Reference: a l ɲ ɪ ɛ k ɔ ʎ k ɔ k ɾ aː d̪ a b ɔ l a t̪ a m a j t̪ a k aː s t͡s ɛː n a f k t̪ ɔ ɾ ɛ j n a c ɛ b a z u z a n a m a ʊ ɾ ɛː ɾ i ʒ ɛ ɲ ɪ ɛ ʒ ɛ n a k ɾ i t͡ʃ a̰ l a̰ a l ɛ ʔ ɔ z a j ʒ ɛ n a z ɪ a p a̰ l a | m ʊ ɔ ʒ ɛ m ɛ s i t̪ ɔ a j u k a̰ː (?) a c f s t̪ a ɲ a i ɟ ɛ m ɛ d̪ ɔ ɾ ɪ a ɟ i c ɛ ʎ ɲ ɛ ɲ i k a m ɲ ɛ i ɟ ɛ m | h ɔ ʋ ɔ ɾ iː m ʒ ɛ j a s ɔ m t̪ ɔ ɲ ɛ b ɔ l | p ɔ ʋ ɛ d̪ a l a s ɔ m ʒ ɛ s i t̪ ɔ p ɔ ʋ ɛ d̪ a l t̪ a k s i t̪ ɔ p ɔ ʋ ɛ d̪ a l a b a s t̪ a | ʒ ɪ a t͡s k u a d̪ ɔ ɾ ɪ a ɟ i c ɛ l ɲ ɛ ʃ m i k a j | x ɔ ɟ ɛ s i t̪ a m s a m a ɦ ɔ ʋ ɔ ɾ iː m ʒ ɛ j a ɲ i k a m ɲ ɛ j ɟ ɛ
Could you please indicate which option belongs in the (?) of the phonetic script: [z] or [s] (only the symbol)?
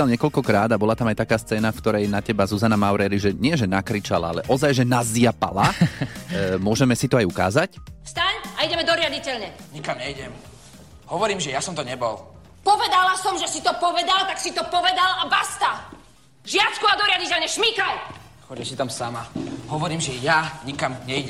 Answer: z